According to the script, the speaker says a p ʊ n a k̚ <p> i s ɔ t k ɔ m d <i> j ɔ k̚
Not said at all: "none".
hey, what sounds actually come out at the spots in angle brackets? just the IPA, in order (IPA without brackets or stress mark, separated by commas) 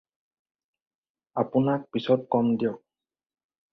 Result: p, i